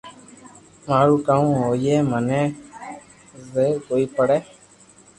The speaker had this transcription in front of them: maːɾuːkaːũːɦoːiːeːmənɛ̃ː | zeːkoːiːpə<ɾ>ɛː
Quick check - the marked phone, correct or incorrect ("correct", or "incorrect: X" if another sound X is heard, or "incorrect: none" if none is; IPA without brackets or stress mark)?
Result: incorrect: ɽ